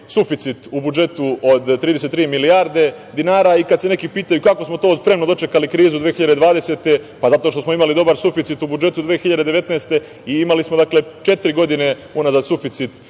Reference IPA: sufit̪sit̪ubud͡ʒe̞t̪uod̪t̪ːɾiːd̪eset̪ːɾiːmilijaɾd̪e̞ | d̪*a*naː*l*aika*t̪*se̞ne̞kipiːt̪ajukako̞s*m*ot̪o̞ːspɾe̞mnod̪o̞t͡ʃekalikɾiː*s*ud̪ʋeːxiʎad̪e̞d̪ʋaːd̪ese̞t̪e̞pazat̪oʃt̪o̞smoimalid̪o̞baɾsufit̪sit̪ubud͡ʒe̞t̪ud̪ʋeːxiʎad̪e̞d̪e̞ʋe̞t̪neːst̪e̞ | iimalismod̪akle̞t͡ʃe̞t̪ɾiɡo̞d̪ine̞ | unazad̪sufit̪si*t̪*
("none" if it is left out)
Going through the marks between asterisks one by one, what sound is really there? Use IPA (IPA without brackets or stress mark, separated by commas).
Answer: i, ɾ, d̪, m, z, t̪